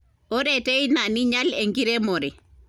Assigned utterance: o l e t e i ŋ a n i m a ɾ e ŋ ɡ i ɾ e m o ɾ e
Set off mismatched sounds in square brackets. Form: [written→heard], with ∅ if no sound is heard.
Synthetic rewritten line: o [l→ɾ] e t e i [ŋ→n] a n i [m→ɲ] a [ɾ→l] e ŋ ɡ i ɾ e m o ɾ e